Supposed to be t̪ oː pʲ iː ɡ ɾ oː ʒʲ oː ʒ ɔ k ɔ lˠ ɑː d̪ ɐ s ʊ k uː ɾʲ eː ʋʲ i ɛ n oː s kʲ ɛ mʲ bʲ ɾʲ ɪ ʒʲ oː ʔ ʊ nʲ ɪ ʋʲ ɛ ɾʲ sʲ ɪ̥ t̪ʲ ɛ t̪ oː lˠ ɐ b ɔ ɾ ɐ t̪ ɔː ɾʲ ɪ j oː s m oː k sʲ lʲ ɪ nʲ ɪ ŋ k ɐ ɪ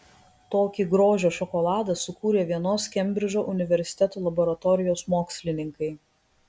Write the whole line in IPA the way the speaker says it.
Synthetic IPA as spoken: t̪ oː kʲ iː ɡ ɾ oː ʒʲ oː ʃ ɔ k ɔ lˠ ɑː d̪ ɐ s ʊ k uː ɾʲ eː ʋʲ i ɛ n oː s kʲ ɛ mʲ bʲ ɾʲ ɪ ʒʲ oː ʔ ʊ nʲ ɪ ʋʲ ɛ ɾʲ sʲ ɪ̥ t̪ʲ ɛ t̪ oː lˠ ɐ b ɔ ɾ ɐ t̪ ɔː ɾʲ ɪ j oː s m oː k sʲ lʲ ɪ nʲ ɪ ŋ k ɐ ɪ